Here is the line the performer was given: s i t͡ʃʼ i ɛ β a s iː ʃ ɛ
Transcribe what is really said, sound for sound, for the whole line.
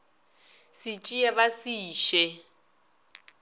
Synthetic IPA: s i t͡ʃʼ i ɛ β a s iː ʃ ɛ